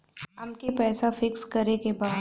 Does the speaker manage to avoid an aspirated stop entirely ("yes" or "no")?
yes